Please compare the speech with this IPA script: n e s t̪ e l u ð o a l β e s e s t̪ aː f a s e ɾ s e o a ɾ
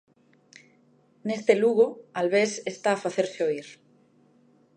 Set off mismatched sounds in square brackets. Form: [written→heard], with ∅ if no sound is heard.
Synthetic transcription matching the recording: n e s t̪ e l u [ð→ɣ] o a l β e s e s t̪ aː f a [s→θ] e ɾ s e o [a→i] ɾ